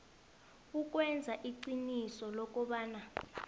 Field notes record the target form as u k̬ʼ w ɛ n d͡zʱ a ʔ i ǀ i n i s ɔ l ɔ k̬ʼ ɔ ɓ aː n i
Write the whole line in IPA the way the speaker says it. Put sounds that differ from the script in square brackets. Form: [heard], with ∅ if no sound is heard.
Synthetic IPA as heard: u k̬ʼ w ɛ n d͡zʱ a ʔ i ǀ i n i s ɔ l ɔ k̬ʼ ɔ ɓ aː n [a]